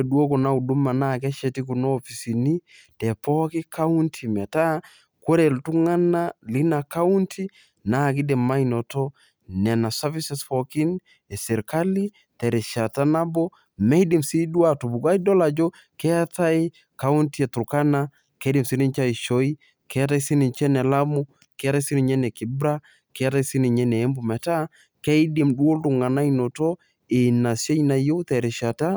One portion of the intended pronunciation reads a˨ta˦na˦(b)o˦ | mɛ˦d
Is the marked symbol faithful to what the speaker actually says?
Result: yes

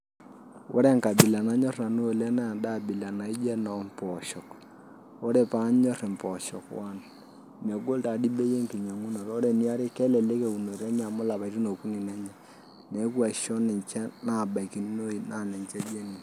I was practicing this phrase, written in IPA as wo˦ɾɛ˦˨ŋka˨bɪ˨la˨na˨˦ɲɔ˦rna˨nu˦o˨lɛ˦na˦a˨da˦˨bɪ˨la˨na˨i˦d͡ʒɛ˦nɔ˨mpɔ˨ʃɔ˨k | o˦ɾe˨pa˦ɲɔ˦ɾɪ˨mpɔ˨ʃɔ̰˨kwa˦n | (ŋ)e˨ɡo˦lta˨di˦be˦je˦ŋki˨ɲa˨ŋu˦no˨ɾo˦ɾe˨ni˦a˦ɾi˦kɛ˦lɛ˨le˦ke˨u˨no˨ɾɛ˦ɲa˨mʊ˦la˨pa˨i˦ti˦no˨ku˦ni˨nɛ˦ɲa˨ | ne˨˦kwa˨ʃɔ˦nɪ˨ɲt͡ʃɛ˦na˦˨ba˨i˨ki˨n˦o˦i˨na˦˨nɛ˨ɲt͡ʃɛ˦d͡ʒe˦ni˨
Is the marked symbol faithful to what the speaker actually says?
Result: no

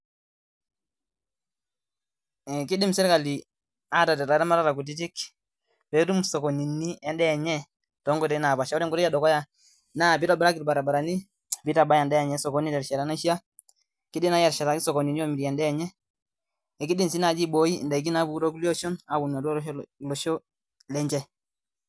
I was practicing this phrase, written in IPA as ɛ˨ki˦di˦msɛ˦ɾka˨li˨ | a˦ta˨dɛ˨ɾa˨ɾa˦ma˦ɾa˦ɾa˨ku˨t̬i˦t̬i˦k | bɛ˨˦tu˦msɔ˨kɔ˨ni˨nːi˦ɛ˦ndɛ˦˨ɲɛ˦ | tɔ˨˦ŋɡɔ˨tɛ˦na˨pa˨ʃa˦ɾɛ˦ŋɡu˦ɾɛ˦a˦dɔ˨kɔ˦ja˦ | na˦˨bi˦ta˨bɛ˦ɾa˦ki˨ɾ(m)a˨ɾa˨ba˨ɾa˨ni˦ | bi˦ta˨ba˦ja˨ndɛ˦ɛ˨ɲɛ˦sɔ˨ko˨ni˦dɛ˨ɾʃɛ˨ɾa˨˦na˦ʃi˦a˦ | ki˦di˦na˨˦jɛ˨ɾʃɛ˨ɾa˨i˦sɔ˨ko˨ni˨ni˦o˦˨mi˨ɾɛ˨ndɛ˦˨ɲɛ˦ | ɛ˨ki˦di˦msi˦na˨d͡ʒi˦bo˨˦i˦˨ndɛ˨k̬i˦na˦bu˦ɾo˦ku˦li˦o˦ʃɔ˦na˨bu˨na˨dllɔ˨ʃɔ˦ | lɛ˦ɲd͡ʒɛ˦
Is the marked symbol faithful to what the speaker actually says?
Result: no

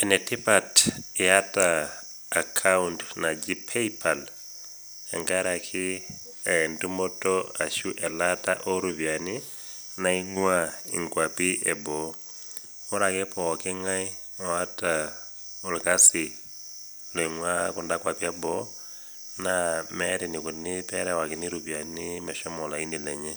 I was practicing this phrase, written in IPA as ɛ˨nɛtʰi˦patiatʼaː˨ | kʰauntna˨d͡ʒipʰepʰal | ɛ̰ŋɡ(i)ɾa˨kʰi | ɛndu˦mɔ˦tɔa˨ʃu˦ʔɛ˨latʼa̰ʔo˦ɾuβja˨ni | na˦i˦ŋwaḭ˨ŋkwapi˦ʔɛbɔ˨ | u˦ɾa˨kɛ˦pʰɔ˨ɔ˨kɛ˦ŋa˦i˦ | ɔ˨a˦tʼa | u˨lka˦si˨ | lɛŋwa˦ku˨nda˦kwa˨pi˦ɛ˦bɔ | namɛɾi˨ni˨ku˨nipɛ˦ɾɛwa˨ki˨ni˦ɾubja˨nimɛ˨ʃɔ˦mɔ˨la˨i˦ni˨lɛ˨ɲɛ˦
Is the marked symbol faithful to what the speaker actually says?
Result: no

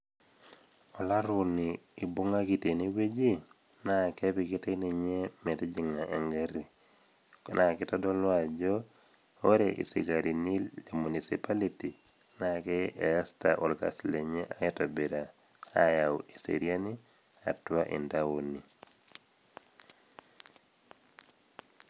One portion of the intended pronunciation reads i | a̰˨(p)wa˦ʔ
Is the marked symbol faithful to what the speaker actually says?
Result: no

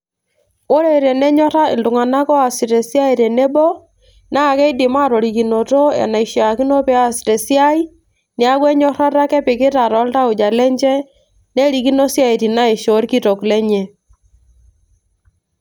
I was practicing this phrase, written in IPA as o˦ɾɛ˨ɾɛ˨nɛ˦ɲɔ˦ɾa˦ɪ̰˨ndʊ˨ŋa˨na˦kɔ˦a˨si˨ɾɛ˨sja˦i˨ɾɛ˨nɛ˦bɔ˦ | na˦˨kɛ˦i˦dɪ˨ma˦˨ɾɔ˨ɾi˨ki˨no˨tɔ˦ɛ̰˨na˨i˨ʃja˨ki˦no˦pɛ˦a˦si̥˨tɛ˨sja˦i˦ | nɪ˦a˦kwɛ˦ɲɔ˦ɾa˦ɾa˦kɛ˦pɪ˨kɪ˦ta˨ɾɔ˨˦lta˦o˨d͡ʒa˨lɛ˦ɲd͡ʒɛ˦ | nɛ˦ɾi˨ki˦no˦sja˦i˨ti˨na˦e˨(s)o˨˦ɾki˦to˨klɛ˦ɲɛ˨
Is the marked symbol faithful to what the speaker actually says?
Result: no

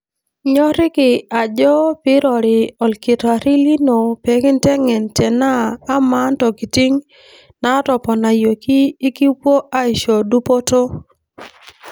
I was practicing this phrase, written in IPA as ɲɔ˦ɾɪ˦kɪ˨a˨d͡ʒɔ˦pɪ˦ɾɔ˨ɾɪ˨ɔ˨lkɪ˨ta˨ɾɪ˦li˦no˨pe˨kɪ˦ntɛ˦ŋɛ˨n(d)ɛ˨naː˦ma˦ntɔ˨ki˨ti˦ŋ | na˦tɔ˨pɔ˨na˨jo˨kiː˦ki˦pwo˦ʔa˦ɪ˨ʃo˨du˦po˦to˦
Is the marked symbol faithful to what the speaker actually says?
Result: no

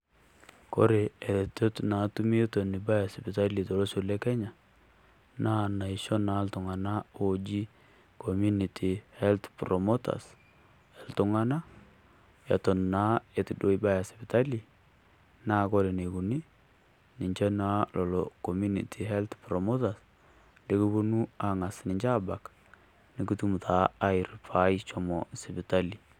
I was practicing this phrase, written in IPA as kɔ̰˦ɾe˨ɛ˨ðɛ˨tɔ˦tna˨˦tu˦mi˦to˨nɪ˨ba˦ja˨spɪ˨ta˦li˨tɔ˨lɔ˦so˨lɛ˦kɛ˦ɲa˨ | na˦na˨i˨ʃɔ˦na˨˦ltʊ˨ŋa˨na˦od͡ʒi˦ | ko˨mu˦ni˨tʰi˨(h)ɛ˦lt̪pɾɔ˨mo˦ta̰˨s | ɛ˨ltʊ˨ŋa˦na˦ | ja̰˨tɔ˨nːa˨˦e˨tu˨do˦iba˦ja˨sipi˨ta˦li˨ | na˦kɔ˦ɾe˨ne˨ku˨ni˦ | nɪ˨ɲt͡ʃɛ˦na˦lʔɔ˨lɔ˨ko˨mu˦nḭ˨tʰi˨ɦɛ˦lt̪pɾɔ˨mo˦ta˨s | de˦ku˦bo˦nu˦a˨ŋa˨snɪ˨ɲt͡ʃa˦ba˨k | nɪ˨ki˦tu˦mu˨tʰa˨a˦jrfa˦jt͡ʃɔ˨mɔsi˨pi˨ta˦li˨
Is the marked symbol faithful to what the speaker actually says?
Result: yes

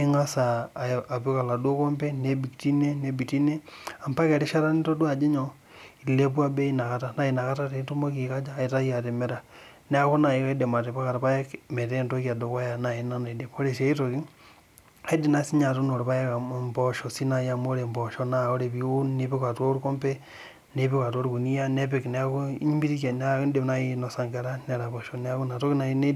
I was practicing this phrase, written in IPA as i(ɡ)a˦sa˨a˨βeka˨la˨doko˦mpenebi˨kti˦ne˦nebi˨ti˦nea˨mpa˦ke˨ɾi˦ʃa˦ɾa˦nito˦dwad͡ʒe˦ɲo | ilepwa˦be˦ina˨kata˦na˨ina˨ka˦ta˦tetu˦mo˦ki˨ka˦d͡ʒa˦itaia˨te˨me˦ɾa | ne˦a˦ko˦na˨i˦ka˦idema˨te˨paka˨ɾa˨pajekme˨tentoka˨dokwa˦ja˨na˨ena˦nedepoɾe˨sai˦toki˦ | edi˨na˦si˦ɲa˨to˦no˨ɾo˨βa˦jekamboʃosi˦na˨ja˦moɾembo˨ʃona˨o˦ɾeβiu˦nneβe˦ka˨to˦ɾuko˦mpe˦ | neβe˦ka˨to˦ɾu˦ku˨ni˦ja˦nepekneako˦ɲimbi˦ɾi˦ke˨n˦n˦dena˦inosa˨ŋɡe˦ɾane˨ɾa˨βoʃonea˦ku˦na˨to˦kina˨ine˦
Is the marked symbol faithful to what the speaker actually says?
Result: no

